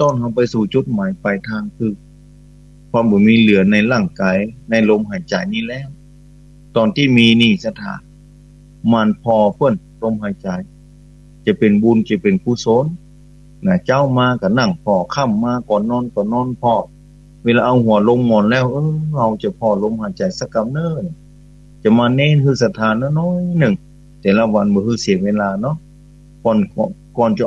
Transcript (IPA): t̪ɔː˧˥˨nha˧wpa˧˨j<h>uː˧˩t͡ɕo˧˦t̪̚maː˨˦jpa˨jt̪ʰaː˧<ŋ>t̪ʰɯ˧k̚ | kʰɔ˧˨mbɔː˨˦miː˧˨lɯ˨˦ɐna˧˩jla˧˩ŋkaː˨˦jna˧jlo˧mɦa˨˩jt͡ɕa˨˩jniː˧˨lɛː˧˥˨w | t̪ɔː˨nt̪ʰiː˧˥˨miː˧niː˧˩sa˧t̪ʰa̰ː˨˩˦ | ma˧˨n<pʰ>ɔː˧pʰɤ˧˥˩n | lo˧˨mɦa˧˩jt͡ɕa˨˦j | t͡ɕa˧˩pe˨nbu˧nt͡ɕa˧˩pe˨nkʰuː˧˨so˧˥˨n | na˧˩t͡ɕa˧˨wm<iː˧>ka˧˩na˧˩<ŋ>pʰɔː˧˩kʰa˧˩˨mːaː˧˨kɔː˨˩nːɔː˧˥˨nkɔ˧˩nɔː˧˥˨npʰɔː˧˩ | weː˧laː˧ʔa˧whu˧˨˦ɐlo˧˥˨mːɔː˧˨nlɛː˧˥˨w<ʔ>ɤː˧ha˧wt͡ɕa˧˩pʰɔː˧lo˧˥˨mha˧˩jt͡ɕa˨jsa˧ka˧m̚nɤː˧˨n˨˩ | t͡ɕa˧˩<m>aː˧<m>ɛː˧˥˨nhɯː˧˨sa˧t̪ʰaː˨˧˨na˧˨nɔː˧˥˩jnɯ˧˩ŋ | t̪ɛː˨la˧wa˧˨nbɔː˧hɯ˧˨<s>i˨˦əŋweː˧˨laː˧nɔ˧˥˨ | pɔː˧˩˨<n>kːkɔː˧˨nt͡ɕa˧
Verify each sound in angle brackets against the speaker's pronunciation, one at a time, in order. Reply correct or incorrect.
incorrect: s, correct, correct, incorrect: aː˧, correct, correct, correct, incorrect: n, correct, correct

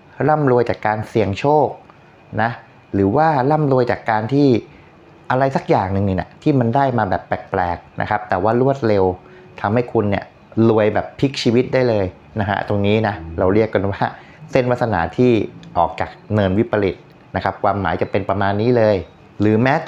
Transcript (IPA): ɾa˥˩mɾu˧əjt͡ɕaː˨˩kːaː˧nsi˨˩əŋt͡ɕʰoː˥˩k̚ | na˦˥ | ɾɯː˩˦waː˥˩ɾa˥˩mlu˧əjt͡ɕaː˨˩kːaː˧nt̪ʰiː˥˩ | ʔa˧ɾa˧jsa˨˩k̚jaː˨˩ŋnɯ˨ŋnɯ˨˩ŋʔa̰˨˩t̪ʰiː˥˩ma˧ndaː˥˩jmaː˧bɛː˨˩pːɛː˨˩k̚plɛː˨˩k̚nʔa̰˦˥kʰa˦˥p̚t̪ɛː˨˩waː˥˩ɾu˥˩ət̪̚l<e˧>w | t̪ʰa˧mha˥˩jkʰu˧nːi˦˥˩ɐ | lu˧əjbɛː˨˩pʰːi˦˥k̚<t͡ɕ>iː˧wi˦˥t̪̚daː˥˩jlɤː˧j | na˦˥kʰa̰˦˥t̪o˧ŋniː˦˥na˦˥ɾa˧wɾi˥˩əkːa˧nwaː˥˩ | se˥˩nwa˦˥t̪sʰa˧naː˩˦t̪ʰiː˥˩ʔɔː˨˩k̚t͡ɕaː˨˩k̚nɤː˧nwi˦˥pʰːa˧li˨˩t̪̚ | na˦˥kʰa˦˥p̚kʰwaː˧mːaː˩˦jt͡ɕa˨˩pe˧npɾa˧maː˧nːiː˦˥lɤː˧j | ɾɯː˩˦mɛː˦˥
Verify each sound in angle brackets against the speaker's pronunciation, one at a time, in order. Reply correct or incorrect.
correct, incorrect: t͡ɕʰ

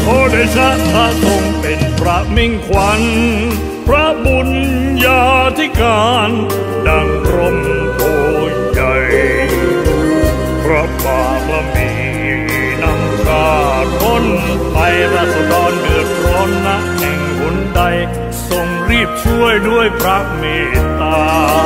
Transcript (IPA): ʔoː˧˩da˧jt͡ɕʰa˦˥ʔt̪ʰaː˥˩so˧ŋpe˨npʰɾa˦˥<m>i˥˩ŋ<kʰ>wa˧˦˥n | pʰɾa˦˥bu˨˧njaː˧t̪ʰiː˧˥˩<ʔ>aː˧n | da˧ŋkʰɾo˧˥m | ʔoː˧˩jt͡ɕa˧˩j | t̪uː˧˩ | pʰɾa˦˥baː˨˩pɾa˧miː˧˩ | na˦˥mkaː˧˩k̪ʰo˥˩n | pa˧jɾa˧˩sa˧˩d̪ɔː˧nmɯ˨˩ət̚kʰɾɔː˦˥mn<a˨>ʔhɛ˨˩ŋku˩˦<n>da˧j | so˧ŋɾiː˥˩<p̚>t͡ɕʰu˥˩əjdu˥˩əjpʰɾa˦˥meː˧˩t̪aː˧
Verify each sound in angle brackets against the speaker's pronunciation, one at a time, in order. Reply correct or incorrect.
correct, correct, incorrect: k, incorrect: a˦˥, correct, correct

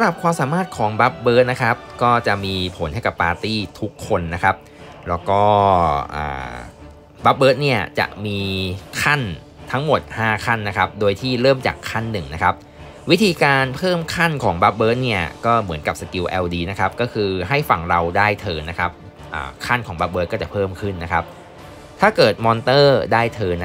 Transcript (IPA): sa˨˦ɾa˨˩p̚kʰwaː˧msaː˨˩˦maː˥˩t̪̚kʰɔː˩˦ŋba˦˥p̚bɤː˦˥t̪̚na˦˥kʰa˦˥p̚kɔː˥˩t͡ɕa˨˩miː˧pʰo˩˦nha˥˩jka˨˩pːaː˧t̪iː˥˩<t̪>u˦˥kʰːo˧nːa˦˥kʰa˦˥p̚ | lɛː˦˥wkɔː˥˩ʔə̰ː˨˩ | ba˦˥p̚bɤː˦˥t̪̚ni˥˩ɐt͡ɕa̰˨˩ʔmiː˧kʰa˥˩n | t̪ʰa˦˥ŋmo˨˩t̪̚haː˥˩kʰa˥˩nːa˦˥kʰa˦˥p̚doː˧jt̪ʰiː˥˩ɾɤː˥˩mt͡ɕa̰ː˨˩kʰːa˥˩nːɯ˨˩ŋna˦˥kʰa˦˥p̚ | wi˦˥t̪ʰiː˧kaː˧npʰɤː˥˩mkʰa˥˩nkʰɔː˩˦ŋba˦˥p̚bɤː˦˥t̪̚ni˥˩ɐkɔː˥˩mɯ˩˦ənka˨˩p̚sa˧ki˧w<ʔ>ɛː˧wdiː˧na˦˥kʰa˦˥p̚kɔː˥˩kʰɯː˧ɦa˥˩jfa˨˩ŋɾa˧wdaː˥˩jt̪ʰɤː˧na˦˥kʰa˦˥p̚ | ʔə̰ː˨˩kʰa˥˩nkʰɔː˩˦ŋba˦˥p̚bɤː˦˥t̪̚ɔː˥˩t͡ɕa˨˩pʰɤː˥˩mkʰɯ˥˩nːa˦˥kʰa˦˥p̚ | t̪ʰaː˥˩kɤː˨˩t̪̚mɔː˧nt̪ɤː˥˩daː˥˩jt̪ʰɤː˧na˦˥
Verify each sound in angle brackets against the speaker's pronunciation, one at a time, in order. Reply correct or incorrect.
incorrect: t̪ʰ, correct

